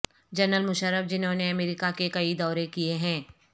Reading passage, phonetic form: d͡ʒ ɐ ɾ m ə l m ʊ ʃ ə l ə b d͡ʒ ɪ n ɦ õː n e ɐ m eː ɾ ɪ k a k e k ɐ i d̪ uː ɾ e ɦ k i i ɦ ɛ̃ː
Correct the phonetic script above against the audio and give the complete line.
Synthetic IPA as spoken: d͡ʒ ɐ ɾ n ə l m ʊ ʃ ə ɾ ə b d͡ʒ ɪ n ɦ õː n e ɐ m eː ɾ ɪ k a k e k ɐ i d̪ ɔː ɾ e k i e ɦ ɛ̃ː